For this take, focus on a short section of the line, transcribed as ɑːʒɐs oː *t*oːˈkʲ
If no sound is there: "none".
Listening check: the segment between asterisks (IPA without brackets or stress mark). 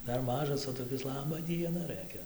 t